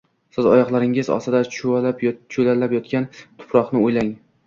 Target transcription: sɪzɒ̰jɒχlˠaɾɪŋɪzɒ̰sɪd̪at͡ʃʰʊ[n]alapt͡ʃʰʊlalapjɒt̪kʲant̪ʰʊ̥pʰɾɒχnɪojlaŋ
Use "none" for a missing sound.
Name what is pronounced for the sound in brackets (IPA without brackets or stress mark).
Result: none